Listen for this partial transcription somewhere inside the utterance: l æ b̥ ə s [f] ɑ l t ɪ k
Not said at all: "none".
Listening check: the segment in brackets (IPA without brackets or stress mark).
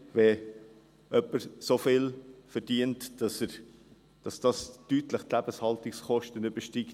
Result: h